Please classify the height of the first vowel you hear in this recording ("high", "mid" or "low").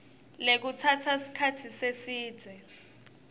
mid